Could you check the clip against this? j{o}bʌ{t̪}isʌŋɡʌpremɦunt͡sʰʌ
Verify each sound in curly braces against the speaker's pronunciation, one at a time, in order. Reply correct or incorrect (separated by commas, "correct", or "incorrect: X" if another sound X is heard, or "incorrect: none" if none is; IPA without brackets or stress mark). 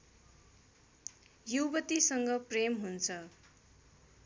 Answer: incorrect: u, correct